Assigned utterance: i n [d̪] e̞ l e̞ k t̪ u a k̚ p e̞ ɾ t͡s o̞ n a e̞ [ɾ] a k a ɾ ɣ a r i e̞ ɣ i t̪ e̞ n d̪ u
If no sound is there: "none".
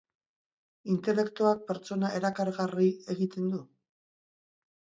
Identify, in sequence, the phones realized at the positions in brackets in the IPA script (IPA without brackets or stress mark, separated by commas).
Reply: t̪, ɾ